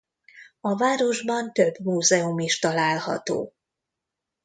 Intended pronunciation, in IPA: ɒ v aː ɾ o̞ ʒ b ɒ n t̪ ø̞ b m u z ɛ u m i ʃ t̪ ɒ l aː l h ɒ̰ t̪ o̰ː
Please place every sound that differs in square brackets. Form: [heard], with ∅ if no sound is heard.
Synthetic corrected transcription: ɒ v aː ɾ o̞ ʒ b ɒ n t̪ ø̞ b m [uː] z ɛ u m i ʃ t̪ ɒ l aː l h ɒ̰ t̪ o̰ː